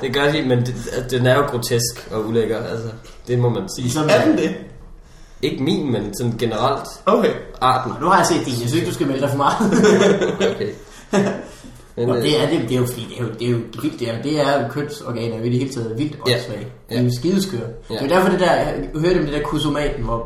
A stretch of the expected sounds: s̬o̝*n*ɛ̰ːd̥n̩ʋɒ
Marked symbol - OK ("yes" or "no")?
no